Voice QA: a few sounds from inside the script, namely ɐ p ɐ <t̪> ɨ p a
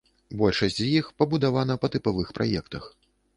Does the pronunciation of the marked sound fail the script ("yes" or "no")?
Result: no